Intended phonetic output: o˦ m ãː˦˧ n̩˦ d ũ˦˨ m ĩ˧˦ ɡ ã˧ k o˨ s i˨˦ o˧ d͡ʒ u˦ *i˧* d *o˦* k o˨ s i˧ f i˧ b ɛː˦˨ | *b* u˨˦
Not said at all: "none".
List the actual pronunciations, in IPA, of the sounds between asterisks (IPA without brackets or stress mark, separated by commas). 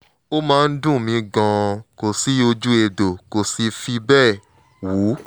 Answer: e˧, o˨, w